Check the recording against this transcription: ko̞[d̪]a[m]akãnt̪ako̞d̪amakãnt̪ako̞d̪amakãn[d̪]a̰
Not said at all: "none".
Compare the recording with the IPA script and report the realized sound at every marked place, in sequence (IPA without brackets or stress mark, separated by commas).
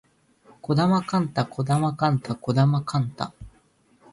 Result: d̪, m, t̪